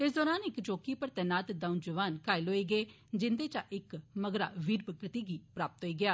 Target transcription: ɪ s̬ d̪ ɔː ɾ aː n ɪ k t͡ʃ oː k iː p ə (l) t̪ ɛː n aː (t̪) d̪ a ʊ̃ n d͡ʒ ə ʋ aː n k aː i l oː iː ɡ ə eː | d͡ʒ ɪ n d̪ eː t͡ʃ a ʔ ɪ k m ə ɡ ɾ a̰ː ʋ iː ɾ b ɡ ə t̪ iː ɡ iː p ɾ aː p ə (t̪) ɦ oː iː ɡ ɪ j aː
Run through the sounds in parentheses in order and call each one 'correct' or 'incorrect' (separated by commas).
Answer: incorrect, correct, correct